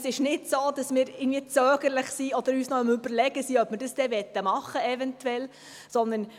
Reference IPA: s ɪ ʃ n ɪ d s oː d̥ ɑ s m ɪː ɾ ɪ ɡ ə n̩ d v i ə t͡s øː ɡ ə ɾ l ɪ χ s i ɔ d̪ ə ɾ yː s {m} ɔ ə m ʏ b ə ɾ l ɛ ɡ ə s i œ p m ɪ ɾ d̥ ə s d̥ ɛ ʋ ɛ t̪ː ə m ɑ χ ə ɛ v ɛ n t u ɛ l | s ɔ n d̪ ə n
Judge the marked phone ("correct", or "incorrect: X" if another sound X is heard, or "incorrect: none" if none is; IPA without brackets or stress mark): incorrect: n